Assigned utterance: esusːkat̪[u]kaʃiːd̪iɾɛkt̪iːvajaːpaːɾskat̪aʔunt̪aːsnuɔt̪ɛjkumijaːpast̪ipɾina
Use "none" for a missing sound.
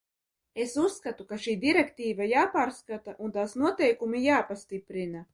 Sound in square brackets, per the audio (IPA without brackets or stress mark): u